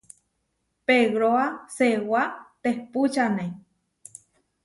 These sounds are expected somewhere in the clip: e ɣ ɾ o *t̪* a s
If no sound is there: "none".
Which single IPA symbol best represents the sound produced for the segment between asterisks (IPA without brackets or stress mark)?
none